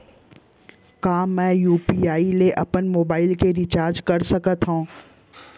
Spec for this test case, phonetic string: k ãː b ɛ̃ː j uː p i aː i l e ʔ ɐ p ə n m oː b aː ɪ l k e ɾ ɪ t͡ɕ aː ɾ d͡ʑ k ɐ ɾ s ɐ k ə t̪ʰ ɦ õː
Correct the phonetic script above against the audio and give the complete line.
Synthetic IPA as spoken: k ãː m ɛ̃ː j uː p i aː i l e ʔ ɐ p ə n m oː b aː ɪ l k e ɾ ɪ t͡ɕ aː ɾ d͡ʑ k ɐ ɾ s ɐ k ə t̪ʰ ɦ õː